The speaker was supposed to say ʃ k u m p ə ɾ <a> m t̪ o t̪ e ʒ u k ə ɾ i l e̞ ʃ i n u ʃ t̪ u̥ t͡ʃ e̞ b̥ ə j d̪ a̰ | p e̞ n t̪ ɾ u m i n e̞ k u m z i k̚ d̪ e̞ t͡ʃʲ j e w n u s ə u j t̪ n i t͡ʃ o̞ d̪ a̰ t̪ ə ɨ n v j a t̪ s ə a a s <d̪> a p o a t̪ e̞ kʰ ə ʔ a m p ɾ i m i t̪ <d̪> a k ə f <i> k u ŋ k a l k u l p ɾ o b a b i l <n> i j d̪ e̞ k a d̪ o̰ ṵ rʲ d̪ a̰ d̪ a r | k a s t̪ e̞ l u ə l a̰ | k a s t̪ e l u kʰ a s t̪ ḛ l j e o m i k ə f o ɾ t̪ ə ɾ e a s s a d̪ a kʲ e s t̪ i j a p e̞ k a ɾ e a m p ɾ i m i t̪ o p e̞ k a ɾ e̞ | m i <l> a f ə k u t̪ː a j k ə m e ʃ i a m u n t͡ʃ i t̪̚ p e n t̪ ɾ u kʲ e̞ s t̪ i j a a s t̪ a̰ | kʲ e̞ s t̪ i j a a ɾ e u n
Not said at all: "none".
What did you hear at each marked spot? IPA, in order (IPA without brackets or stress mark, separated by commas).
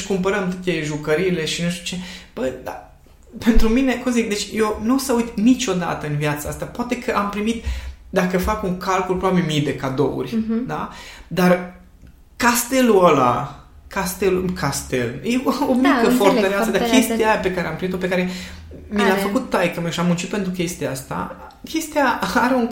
ə, t̪, d̪, a, m, l